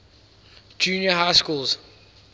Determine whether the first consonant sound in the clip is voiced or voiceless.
voiced